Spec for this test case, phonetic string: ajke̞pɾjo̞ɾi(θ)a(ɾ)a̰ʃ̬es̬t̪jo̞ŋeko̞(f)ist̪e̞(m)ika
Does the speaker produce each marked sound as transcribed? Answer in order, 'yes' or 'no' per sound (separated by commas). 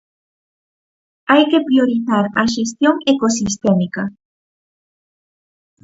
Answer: yes, yes, no, yes